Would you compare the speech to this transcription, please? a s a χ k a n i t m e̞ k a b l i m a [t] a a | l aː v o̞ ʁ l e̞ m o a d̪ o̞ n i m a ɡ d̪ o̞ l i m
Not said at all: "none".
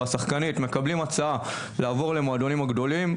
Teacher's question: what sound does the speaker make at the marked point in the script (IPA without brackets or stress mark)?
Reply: t͡s